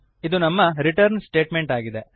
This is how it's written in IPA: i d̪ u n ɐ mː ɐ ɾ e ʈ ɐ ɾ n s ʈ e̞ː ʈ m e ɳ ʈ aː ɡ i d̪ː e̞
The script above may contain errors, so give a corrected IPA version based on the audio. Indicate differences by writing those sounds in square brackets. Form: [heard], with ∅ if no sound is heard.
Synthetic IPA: i d̪ u n ɐ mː ɐ ɾ [i] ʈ ɐ ɾ n s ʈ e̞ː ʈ m e ɳ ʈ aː ɡ i [d̪] e̞